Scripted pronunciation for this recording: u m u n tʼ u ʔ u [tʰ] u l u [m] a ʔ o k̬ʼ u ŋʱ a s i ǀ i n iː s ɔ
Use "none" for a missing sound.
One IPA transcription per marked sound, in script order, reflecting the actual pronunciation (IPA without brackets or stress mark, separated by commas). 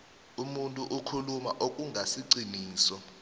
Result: kʰ, m